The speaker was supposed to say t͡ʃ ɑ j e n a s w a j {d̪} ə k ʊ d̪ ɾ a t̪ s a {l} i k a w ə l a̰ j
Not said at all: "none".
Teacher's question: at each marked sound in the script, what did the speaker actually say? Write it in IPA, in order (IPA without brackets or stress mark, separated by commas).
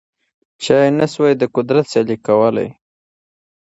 d̪, l